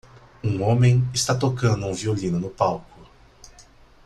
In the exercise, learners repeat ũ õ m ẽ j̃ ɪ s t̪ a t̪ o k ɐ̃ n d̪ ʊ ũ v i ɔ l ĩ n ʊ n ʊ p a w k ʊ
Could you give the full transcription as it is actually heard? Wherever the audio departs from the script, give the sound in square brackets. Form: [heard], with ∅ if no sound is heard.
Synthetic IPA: ũ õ m ẽ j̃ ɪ s t̪ a t̪ o k ɐ̃ n d̪ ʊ ũ v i [o] l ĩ n ʊ n ʊ p a w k ʊ